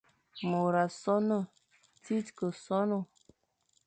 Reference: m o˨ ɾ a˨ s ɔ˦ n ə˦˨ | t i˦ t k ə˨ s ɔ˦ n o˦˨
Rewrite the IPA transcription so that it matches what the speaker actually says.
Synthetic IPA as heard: m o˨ ɾ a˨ s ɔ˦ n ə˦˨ | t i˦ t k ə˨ s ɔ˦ n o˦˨